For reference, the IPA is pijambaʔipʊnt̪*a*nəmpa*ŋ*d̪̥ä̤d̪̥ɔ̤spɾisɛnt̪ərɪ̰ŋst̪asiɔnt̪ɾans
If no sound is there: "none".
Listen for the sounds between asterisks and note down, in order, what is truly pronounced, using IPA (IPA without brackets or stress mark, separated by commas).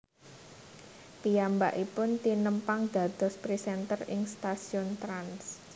i, ŋ